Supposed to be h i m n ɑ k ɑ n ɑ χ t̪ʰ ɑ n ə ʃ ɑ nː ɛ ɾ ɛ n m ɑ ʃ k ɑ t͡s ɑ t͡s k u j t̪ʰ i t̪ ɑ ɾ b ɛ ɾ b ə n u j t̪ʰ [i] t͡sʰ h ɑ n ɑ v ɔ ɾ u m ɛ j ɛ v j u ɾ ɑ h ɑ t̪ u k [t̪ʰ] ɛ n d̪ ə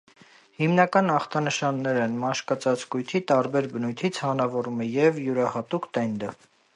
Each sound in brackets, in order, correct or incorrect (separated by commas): correct, incorrect